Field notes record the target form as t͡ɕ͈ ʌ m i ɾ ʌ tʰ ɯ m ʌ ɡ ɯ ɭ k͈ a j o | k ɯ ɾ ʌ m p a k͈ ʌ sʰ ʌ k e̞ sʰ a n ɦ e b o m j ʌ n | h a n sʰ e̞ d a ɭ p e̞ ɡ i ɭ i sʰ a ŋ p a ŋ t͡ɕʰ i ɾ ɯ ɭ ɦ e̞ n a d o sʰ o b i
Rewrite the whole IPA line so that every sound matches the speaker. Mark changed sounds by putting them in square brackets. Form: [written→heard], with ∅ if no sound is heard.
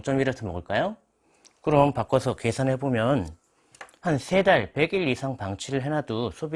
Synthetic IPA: t͡ɕ͈ ʌ m i ɾ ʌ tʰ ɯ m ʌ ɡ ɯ ɭ k͈ a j o | k ɯ ɾ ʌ m p a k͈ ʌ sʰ ʌ k e̞ sʰ a n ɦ e b o m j ʌ n | h a n sʰ e̞ d a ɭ p e̞ ɡ i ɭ i sʰ a ŋ p a ŋ t͡ɕʰ i ɾ ɯ ɭ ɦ e̞ n a d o sʰ o b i